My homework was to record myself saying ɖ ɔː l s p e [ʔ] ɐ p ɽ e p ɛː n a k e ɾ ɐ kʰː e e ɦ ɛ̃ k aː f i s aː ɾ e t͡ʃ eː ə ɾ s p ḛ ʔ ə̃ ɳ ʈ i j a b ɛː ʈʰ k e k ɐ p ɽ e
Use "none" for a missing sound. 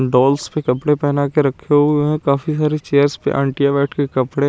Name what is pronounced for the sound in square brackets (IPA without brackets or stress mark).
k